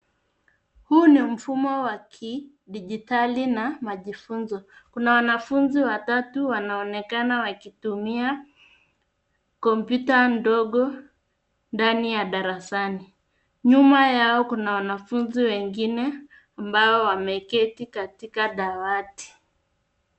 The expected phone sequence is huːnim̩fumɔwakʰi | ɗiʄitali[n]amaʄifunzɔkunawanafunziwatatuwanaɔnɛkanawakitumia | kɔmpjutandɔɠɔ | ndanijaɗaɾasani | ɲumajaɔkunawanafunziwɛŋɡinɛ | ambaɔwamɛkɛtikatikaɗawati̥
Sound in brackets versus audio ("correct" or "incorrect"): correct